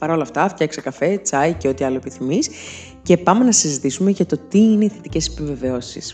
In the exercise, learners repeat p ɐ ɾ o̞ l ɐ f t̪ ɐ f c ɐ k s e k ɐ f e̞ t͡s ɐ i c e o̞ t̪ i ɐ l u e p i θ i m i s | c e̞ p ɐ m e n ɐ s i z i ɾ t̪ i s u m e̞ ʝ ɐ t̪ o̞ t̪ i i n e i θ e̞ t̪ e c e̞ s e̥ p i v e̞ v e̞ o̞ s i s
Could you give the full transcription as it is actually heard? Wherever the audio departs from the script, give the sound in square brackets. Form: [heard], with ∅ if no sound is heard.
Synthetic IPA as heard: p ɐ ɾ o̞ l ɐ f t̪ ɐ f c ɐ k s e k ɐ f e̞ t͡s ɐ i c e o̞ t̪ i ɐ l [o] e p i θ i m i s | c e̞ p ɐ m e n ɐ s i z i [∅] t̪ i s u m e̞ ʝ ɐ t̪ o̞ t̪ i i n e i θ e̞ t̪ [i] c e̞ s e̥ p i v e̞ v e̞ o̞ s i s